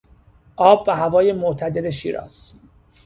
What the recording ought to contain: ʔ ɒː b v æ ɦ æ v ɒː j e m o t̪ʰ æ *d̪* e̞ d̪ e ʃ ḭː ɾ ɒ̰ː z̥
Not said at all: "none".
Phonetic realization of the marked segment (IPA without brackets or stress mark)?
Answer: d̪